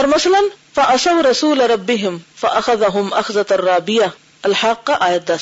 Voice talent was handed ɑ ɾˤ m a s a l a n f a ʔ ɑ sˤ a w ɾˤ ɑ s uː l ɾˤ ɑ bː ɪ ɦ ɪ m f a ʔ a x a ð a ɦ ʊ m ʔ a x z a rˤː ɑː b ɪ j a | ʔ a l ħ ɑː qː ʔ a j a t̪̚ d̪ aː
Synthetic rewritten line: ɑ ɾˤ m a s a l a n f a ʔ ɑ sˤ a w ɾˤ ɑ s uː l ɾˤ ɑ bː ɪ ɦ ɪ m f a ʔ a x a ð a ɦ ʊ m ʔ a x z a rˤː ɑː b ɪ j a | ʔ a l ħ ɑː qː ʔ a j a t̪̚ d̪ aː